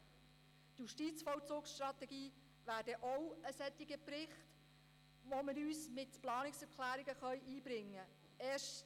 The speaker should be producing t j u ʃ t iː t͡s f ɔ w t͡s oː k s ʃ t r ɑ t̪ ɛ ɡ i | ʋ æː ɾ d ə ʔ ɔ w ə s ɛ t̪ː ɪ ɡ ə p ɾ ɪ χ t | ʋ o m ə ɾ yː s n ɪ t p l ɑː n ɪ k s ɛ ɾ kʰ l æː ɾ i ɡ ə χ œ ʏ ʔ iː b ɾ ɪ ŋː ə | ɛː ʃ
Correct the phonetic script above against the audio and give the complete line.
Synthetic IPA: t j u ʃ t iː t͡s f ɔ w t͡s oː k s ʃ t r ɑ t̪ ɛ ɡ iː | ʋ æː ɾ d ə ʔ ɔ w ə s ɛ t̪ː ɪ ɡ ə p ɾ ɪ χ t | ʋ o m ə ɾ yː s m ɪ t p l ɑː n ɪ k s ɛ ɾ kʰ l æː ɾ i ɡ ə χ œ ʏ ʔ iː b ɾ ɪ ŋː ə | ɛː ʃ